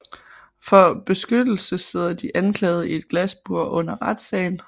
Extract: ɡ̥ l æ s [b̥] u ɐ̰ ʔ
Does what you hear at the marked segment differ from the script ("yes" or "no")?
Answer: no